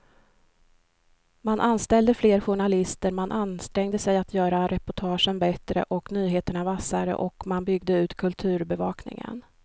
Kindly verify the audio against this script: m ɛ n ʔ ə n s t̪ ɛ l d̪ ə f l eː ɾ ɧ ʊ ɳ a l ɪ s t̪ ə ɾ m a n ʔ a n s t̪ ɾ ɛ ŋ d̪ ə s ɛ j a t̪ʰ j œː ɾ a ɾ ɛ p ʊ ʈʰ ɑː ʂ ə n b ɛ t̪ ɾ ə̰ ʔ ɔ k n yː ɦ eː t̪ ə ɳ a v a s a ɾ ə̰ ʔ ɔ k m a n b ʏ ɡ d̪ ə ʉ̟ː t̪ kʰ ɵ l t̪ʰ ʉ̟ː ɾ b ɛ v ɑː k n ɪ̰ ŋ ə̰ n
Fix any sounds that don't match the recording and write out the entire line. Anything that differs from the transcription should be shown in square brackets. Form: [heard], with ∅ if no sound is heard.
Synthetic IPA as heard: m [a] n ʔ [a] n s t̪ ɛ l d̪ ə f l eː ɾ ɧ ʊ ɳ a l ɪ s t̪ ə ɾ m a n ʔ a n s t̪ ɾ ɛ ŋ d̪ ə s ɛ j a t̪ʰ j œː ɾ a ɾ ɛ p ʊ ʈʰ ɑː ʂ ə n b ɛ t̪ ɾ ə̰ ʔ ɔ k n yː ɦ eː t̪ ə ɳ a v a s a ɾ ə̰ ʔ ɔ k m a n b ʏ ɡ d̪ ə ʉ̟ː t̪ kʰ ɵ l t̪ʰ ʉ̟ː ɾ b ɛ v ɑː k n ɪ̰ ŋ ə̰ n